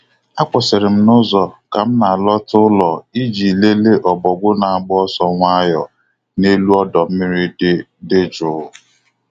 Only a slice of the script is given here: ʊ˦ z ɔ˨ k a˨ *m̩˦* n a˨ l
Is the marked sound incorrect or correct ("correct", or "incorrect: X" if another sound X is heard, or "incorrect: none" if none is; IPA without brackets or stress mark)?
correct